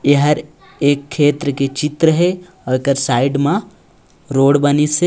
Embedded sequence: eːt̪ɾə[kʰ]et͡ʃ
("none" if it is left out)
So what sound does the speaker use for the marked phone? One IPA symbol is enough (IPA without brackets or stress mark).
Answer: k